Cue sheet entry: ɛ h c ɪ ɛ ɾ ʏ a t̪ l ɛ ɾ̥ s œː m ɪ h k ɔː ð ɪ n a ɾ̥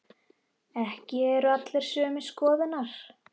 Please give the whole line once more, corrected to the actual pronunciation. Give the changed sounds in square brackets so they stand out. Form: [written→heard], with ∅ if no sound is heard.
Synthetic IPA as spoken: ɛ h c ɪ ɛ ɾ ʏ a t̪ l ɛ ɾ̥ s œː m ɪ [h→s] k ɔː ð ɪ n a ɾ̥